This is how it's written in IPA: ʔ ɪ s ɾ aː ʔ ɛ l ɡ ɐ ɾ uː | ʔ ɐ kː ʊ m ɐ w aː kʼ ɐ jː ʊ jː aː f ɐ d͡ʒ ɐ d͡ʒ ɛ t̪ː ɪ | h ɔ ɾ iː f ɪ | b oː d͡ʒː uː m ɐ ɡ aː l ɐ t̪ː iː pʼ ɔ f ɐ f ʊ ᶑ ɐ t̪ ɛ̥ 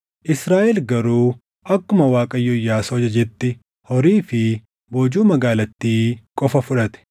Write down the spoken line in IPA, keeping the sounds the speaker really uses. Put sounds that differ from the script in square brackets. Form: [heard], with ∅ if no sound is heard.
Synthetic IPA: ʔ ɪ s ɾ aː ʔ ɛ l ɡ ɐ ɾ uː | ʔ ɐ kː ʊ m ɐ w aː kʼ ɐ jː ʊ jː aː [s] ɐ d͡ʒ ɐ d͡ʒ ɛ t̪ː ɪ | h ɔ ɾ iː f ɪ | b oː [d͡ʒ] uː m ɐ ɡ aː l ɐ t̪ː iː [kʼ] ɔ f ɐ f ʊ ᶑ ɐ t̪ ɛ̥

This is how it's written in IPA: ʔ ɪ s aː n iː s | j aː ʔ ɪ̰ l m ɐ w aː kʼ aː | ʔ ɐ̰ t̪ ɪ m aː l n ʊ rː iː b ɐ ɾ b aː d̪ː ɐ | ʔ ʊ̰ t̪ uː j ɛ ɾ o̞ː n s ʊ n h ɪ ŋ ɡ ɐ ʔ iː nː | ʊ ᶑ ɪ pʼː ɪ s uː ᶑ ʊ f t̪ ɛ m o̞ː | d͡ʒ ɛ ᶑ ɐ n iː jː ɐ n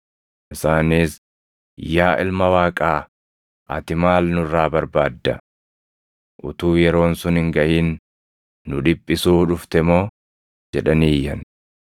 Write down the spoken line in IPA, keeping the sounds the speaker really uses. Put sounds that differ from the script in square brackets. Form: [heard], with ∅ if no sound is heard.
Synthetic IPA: ʔ ɪ s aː n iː s | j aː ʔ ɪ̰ l m ɐ w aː kʼ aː | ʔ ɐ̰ t̪ ɪ m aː l n ʊ rː [aː] b ɐ ɾ b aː d̪ː ɐ | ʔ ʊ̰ t̪ uː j ɛ ɾ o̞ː n s ʊ n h ɪ ŋ ɡ ɐ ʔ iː nː | ʊ ᶑ ɪ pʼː ɪ s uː ᶑ ʊ f t̪ ɛ m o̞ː | d͡ʒ ɛ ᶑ ɐ n iː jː ɐ n

